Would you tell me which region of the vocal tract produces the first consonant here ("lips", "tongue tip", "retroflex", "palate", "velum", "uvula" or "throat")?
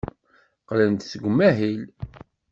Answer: uvula